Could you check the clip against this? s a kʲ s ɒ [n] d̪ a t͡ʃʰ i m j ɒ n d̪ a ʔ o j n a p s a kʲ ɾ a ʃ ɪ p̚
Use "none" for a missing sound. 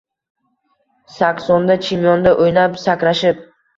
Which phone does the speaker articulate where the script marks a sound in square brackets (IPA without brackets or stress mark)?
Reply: n